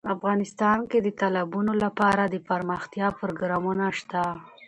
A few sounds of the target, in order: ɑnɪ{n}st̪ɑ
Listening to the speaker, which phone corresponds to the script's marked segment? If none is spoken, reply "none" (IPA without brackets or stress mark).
none